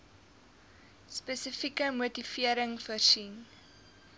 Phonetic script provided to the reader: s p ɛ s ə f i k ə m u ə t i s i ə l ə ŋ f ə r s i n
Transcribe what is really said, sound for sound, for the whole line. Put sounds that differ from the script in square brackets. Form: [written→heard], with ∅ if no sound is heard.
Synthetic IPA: s p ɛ s ə f i k ə m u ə t i [s→f] i ə [l→ɾ] ə ŋ f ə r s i n